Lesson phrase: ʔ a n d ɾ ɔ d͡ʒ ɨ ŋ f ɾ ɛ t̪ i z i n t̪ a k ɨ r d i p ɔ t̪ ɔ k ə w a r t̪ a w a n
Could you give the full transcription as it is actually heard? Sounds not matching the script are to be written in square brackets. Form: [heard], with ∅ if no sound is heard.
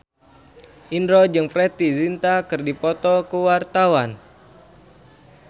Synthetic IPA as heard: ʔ [i] n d ɾ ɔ d͡ʒ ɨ ŋ f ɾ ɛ t̪ i z i n t̪ a k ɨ r d i p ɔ t̪ ɔ k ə w a r t̪ a w a n